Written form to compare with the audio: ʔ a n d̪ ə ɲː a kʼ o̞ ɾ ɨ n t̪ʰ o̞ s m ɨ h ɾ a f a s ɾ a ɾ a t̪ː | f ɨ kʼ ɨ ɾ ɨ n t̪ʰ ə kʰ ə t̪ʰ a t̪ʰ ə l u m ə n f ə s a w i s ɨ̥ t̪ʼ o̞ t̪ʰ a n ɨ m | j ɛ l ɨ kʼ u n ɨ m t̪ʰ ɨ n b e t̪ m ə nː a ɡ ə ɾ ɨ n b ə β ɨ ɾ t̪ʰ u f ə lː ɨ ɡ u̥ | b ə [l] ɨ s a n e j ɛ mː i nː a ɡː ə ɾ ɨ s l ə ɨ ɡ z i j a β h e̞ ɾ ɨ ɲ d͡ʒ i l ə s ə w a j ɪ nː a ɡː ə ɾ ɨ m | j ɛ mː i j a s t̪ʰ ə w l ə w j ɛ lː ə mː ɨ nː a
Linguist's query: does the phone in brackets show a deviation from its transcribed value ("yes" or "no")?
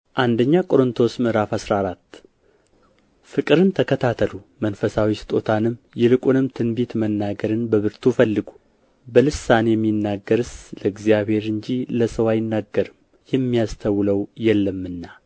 no